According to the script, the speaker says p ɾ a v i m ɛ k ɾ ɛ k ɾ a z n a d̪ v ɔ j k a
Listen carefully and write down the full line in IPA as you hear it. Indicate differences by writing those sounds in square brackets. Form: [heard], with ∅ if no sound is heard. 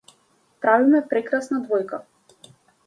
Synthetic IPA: p ɾ a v i m ɛ [p] ɾ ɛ k ɾ a [s] n a d̪ v ɔ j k a